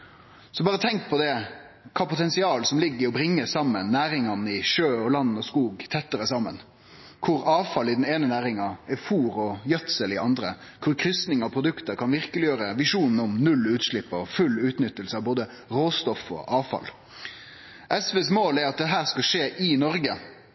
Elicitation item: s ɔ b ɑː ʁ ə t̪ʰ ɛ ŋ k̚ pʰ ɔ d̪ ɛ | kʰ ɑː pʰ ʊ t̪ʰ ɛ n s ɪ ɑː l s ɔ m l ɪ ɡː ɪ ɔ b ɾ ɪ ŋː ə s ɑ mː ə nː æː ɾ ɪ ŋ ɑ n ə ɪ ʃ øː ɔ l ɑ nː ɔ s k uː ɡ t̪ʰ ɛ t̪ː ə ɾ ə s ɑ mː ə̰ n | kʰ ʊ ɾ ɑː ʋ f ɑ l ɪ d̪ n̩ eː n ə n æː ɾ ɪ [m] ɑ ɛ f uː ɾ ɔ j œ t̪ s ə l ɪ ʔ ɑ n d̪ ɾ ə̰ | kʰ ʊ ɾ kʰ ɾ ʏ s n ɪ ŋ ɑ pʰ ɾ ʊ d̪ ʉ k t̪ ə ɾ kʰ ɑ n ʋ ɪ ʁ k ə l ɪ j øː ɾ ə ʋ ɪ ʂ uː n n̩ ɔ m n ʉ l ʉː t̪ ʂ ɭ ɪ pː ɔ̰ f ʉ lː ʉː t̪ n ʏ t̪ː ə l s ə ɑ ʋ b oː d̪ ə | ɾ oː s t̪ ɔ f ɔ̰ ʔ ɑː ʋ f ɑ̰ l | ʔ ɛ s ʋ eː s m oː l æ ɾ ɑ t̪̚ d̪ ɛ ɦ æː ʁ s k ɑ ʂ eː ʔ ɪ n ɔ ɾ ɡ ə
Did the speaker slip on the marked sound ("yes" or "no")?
yes